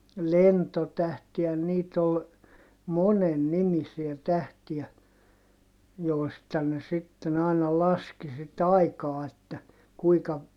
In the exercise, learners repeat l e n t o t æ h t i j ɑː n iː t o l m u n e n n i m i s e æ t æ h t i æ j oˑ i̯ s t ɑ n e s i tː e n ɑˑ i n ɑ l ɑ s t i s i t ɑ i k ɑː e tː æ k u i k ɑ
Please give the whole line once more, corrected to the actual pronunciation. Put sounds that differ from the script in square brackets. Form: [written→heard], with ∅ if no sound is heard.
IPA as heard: l e n t o t æ h t i j [ɑː→ɑ] n iː t o l m [u→o] n e n n i m i s [e→i] æ t æ h t i æ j oˑ i̯ s t ɑ n e s i tː e n ɑˑ i n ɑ l ɑ s [t→k] i s i t ɑ i k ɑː e tː æ k u i k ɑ